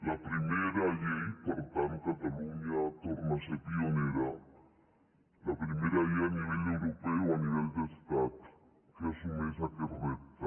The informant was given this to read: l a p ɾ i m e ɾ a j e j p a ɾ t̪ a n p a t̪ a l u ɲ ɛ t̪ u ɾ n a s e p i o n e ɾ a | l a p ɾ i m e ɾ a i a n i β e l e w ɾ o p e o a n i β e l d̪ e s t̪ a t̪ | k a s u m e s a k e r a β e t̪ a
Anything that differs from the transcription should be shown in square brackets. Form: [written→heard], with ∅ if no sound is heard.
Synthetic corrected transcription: l a p ɾ i m e ɾ a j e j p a ɾ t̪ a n [p→k] a t̪ a l u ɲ [ɛ→a] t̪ [u→o] ɾ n a s e p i o n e ɾ a | l a p ɾ i m e ɾ a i a n i β e l e w ɾ o p e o a n i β e l d̪ e s t̪ a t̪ | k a s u m e s a k e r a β e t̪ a

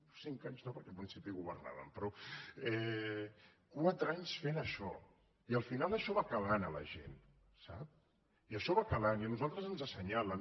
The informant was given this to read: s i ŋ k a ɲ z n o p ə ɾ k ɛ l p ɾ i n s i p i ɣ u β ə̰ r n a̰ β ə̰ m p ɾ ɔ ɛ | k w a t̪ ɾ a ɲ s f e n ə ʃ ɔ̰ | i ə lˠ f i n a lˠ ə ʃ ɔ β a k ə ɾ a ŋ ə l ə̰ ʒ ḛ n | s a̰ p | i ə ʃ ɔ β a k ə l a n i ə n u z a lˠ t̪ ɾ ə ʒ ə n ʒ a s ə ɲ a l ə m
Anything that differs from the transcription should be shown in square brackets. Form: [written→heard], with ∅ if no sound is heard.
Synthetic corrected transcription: s i ŋ k a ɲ z n o p ə ɾ k ɛ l p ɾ i n s i p i ɣ u β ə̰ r n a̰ β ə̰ m p ɾ ɔ ɛ | k w a t̪ ɾ a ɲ s f e n ə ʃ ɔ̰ | i ə lˠ f i n a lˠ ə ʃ ɔ β a k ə [ɾ→l] a [ŋ→n] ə l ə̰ ʒ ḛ n | s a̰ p | i ə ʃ ɔ β a k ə l a n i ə n u z a lˠ t̪ ɾ ə [ʒ→z] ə n [ʒ→z] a s ə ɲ a l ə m

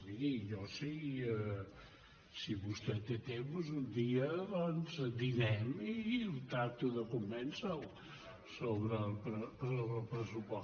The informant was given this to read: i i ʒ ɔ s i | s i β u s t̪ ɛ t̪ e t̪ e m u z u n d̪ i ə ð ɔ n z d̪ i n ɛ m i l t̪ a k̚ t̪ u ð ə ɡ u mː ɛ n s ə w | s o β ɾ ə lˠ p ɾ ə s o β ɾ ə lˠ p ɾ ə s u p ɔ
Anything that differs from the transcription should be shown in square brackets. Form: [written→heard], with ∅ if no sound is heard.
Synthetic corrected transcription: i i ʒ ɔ s i | s i β u s t̪ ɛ t̪ e t̪ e m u z u n d̪ i ə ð ɔ n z d̪ i n ɛ m i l t̪ a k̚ t̪ u ð ə [ɡ→k] u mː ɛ n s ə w | s o β ɾ ə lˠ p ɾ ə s o β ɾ ə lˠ p ɾ ə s u p ɔ

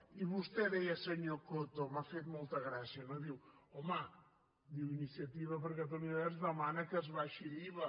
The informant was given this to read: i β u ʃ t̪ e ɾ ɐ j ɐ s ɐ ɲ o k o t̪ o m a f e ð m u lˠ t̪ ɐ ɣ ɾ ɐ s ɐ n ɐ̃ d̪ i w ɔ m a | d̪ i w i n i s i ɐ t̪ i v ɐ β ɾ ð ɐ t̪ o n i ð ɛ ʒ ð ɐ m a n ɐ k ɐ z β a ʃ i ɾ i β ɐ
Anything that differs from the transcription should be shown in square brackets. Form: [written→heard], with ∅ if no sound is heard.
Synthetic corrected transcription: i β u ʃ t̪ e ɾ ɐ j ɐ s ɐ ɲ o k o t̪ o m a f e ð m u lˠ t̪ ɐ ɣ ɾ [ɐ→a] s ɐ n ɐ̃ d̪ i w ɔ m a | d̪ i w i n i s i ɐ t̪ i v ɐ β ɾ [ð→ɣ] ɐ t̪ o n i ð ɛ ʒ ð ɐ m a n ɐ k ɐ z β a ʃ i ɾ i β ɐ

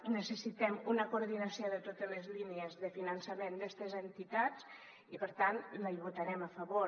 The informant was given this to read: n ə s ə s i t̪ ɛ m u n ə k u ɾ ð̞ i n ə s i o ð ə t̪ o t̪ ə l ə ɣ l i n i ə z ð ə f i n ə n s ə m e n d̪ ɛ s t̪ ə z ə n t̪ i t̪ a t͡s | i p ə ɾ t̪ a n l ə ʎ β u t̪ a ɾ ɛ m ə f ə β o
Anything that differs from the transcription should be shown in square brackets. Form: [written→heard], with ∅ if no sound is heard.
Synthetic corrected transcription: n ə s ə s i t̪ ɛ m u n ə k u ɾ ð̞ i n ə s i o ð ə t̪ o t̪ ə l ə [ɣ→z] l i n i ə z ð ə f i n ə n s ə m e n d̪ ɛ s t̪ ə z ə n t̪ i t̪ a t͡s | i p ə ɾ t̪ a n l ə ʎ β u t̪ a ɾ ɛ m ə f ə β o

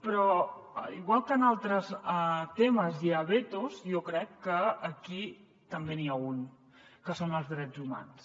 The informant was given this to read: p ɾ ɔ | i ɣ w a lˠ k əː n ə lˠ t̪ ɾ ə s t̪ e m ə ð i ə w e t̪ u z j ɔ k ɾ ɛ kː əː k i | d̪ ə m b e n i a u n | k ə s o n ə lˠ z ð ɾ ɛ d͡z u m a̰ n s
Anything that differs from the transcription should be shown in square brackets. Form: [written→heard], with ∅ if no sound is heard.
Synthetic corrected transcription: p ɾ ɔ | i ɣ w a lˠ k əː n [ə→a] lˠ t̪ ɾ ə s t̪ e m ə [ð→z] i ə [w→β] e t̪ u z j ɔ k ɾ ɛ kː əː k i | [d̪→t̪] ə m b e n i a u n | k ə s o n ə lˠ z ð ɾ ɛ d͡z u m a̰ n s

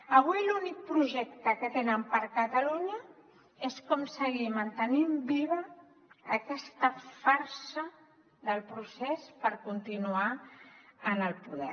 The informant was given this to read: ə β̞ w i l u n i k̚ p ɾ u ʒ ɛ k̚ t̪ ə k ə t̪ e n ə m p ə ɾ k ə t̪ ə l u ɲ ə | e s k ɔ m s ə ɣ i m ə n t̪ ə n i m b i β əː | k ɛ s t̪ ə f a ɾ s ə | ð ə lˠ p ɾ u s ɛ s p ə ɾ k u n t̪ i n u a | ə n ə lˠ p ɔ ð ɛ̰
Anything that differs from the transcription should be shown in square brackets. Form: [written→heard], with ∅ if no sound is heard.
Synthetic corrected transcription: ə β̞ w i l u n i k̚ p ɾ u ʒ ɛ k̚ t̪ ə k ə t̪ e n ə m p ə ɾ k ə t̪ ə l u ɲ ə | e s k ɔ m s ə ɣ i m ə n t̪ ə n i m b i β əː | k ɛ s t̪ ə f a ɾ s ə | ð ə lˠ p ɾ u s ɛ s p ə ɾ k u n t̪ i n u a | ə n ə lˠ p [ɔ→u] ð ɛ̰

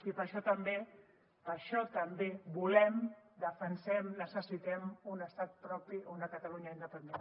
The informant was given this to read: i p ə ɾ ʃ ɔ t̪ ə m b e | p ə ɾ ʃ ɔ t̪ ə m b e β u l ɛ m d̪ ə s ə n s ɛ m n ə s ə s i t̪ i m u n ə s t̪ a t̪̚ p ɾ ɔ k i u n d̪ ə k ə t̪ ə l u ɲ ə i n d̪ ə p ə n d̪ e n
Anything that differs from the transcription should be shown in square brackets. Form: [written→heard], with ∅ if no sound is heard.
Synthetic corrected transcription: i p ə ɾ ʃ ɔ t̪ ə m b e | p ə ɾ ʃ ɔ t̪ ə m b e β u l ɛ m d̪ ə [s→f] ə n s ɛ m n ə s ə s i t̪ [i→ɛ] m u n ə s t̪ a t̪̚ p ɾ ɔ [k→p] i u n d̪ ə k ə t̪ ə l u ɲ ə i n d̪ ə p ə n d̪ e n

